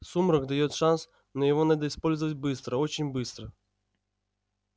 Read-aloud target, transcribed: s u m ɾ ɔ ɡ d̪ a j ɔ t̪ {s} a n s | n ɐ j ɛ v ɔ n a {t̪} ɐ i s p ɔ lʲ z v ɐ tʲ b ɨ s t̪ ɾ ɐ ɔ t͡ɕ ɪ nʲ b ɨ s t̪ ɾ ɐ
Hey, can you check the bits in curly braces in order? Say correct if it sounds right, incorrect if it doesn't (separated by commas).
incorrect, incorrect